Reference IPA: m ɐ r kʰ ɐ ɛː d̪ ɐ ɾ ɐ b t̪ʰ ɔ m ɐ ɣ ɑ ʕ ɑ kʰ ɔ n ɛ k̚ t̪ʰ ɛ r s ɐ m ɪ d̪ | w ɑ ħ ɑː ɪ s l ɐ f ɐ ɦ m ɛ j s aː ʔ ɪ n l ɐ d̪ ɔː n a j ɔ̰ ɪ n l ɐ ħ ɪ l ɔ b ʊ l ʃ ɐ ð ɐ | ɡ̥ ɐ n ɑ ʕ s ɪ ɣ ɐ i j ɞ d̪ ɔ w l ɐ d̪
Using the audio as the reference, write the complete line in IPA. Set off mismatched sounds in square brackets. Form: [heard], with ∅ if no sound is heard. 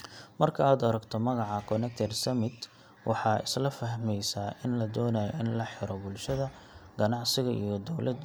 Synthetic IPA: m ɐ r kʰ ɐ [aː] d̪ ɐ ɾ ɐ [ɡ] t̪ʰ ɔ m ɐ ɣ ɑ ʕ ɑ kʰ ɔ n ɛ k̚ t̪ʰ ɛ r s ɐ m ɪ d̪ | w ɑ ħ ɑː ɪ s l ɐ f ɐ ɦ m ɛ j s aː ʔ ɪ n l ɐ d̪ ɔː n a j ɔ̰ ɪ n l ɐ ħ ɪ [ɾ] ɔ b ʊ l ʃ ɐ ð ɐ | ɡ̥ ɐ n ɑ ʕ s ɪ ɣ ɐ i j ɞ d̪ ɔ w l ɐ d̪